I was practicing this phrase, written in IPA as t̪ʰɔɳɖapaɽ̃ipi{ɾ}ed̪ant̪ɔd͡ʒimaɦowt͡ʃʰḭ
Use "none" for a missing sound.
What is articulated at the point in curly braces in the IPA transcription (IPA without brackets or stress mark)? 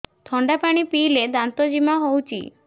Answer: l